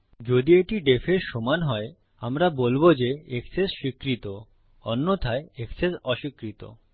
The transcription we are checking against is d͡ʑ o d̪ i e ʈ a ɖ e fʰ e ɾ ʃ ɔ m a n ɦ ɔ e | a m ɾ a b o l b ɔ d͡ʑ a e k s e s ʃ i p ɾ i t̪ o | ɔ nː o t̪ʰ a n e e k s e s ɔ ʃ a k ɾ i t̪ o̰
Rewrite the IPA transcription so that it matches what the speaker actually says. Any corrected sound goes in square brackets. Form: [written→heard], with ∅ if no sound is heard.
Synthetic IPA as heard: d͡ʑ o d̪ i e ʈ [a→i] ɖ e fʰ e ɾ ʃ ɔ m a n ɦ ɔ e | a m ɾ a b o l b [ɔ→o] d͡ʑ [a→e] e k s e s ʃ i [p→k] ɾ i t̪ o | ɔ nː o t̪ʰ a [n→∅] e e k s e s ɔ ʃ [a→i] k ɾ i t̪ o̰